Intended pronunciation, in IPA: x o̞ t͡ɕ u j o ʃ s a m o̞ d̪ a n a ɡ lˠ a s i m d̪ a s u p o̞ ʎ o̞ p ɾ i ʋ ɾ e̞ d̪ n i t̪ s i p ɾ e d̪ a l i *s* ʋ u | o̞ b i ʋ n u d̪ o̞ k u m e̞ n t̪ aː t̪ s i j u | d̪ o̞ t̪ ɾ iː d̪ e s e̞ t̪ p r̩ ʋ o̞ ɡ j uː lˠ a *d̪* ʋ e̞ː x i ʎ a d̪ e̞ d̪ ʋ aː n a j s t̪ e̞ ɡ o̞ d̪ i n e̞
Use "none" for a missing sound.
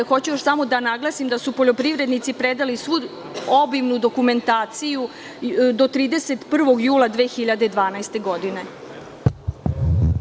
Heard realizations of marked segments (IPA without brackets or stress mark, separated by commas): s, d̪